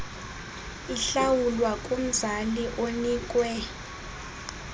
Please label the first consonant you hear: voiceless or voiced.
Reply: voiceless